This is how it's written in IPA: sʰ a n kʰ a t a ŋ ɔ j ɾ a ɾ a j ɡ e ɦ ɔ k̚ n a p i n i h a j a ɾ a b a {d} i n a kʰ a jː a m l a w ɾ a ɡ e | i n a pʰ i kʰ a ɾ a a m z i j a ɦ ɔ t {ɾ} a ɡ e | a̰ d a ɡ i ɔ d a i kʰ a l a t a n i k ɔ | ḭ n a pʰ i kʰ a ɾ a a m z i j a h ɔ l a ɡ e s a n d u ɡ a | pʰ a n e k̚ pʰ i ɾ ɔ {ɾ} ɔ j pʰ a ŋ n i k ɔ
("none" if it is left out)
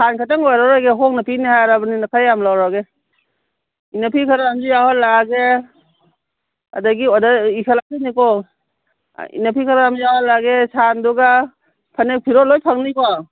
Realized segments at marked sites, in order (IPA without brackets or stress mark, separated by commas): n, l, l